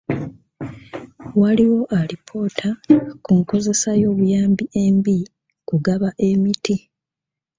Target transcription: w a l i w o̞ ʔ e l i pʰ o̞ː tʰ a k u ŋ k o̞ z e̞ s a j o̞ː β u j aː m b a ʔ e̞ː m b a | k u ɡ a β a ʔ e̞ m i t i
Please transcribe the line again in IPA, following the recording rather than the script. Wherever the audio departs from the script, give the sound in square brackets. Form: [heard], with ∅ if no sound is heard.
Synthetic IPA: w a l i w o̞ ʔ [a] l i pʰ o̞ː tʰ a k u ŋ k o̞ z e̞ s a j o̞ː β u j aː m b [i] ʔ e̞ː m b [i] | k u ɡ a β a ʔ e̞ m i t i